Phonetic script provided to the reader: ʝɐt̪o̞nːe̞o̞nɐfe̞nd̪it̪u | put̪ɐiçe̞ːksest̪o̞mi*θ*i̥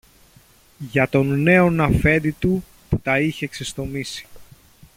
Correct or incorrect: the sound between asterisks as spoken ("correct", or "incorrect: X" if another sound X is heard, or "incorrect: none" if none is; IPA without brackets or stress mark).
incorrect: s